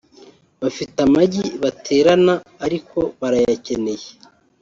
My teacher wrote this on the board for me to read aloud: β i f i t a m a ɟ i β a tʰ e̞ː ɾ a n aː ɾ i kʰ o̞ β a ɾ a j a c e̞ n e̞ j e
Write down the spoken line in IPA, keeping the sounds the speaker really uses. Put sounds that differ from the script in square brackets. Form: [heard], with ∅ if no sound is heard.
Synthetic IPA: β [a] f i t a m a ɟ i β a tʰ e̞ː ɾ a n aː ɾ i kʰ o̞ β a ɾ a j a c e̞ n e̞ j e